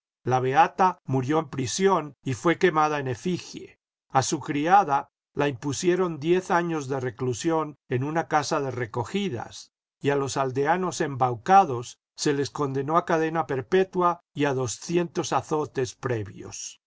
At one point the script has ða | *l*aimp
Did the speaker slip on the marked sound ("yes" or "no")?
no